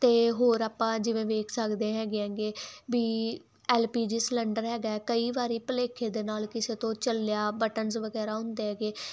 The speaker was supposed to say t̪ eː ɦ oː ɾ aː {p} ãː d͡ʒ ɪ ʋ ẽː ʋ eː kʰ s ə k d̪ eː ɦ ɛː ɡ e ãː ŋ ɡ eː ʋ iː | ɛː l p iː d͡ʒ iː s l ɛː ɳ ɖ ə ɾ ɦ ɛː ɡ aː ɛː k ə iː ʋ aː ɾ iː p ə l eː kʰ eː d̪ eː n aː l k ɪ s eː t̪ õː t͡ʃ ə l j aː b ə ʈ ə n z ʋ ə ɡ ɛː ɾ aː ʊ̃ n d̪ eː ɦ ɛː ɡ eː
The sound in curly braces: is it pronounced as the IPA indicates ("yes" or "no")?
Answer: yes